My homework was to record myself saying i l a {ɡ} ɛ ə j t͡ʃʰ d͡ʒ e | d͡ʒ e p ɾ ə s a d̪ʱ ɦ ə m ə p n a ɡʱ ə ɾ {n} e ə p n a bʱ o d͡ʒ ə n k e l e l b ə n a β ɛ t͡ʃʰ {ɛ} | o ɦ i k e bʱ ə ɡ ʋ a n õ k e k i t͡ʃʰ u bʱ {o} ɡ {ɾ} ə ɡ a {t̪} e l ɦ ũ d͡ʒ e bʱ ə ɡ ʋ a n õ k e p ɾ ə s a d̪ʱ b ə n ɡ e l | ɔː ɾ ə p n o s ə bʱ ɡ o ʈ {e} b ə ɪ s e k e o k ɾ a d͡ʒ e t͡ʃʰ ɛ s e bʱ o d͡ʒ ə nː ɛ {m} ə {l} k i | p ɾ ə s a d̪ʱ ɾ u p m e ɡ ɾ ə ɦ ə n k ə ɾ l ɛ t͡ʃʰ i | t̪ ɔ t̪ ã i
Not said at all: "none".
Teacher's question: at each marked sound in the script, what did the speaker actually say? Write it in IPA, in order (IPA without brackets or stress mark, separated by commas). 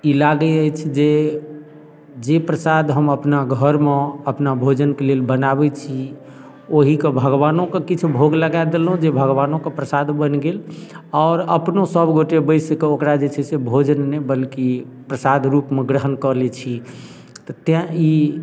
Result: ɡ, m, i, o, l, d̪, e, b, l